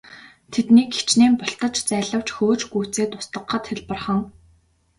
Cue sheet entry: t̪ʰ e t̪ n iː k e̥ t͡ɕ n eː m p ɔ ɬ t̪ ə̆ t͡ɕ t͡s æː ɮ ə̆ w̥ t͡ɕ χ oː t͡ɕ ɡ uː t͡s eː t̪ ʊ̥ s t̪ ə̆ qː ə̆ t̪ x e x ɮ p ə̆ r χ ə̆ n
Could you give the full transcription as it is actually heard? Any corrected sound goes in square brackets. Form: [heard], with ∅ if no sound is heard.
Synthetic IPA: t̪ʰ e t̪ n iː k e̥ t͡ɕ n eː m p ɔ ɬ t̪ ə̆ t͡ɕ t͡s æː ɮ ə̆ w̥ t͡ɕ [x] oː t͡ɕ ɡ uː t͡s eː t̪ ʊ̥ s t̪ ə̆ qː ə̆ t̪ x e [∅] ɮ p ə̆ r χ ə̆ [ŋ]

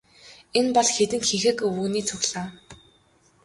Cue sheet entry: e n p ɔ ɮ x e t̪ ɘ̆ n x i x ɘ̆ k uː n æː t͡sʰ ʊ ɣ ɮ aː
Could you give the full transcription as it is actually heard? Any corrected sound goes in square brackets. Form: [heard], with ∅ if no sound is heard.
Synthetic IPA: e n p ɔ ɮ x e t̪ ɘ̆ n x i x ɘ̆ k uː n [iː] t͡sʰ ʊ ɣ ɮ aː

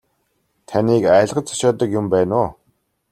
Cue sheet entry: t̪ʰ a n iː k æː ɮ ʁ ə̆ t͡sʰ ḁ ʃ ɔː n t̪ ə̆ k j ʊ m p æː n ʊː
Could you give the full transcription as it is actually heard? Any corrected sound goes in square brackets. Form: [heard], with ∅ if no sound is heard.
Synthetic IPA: t̪ʰ a n iː k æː ɮ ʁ ə̆ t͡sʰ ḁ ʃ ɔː [∅] t̪ ə̆ k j ʊ m p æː n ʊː

